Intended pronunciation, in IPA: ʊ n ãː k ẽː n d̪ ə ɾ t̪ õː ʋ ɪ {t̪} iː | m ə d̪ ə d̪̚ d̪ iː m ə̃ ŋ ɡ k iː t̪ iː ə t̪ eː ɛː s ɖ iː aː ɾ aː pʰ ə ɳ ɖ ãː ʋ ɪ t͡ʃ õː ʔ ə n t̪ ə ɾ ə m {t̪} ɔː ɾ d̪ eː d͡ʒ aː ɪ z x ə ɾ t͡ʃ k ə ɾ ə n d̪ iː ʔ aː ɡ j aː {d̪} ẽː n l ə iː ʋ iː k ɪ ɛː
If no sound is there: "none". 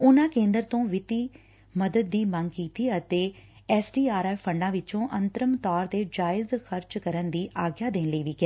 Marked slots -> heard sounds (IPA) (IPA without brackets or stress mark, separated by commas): t̪, t̪, d̪